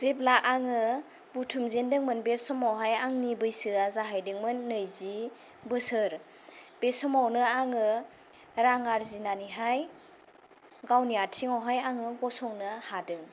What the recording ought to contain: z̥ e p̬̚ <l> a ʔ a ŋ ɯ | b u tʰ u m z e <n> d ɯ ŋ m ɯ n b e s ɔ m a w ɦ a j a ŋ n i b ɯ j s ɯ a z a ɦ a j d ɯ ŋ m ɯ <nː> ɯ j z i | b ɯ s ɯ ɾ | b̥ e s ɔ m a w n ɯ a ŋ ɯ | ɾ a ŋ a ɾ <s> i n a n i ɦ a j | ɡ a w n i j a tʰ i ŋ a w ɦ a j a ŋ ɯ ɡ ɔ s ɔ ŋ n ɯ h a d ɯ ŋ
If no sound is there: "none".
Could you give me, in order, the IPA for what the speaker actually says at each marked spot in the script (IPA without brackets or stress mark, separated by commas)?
l, n, nː, z